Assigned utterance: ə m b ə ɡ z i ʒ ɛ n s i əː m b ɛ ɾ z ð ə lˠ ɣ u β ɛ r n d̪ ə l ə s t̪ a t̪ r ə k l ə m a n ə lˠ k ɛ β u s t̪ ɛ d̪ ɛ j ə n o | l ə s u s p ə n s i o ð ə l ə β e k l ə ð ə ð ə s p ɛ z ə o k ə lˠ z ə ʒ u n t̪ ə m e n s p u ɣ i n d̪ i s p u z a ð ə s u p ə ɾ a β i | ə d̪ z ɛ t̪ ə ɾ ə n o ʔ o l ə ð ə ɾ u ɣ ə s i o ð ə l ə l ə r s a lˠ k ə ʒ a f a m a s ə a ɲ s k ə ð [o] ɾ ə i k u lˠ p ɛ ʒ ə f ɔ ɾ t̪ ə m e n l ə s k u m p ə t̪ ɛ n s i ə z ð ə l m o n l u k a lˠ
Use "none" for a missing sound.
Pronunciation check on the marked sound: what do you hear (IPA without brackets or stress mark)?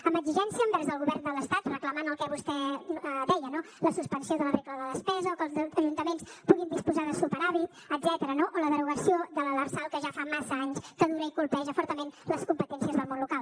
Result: u